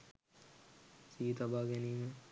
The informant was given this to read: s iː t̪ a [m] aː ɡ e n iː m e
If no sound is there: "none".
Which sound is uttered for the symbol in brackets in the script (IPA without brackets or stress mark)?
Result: b